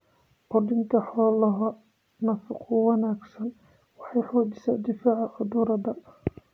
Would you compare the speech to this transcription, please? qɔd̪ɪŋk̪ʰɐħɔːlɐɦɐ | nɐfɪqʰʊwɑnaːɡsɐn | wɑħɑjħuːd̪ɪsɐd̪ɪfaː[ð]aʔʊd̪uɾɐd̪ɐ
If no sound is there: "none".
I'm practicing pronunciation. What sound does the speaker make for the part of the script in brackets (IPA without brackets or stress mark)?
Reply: ʕ